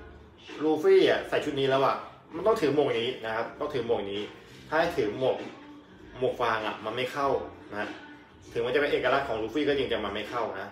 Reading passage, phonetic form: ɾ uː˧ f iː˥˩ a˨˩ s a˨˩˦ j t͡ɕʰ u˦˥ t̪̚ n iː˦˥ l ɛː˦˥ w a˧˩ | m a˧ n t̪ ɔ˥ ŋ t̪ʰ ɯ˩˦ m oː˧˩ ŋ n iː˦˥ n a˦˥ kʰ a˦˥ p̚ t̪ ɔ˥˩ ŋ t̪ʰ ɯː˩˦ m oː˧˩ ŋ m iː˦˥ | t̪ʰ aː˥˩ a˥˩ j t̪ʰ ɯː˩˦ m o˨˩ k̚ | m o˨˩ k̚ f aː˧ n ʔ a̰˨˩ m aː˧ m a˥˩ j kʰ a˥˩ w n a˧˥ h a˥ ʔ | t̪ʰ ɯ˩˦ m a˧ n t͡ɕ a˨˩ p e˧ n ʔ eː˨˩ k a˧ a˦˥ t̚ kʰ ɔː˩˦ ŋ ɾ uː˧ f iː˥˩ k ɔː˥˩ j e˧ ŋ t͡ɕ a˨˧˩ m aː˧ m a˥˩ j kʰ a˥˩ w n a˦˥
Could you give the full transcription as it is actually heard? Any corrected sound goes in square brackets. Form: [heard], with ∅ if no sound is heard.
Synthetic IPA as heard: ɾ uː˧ f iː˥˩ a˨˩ s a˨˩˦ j t͡ɕʰ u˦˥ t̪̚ n iː˦˥ l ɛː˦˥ w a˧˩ | m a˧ n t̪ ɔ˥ ŋ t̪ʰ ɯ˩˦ m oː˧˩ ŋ n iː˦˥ n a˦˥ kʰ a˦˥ p̚ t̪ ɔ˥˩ ŋ t̪ʰ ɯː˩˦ m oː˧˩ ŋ [n] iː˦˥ | t̪ʰ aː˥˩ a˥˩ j t̪ʰ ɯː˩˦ m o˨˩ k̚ | m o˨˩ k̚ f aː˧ [ŋ] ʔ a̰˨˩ m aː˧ m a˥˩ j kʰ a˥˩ w n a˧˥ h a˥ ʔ | t̪ʰ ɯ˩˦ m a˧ n t͡ɕ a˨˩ p e˧ n ʔ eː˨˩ k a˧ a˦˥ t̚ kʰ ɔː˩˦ ŋ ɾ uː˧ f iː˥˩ k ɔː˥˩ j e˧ ŋ t͡ɕ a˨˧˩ m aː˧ m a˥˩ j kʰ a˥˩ w n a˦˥